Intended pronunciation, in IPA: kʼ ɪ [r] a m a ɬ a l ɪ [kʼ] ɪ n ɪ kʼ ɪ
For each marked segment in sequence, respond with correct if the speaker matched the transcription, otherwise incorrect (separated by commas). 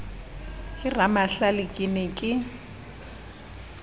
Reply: correct, correct